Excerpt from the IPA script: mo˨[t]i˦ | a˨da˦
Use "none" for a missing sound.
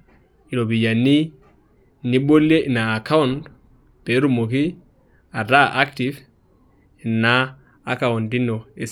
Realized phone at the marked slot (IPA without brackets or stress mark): k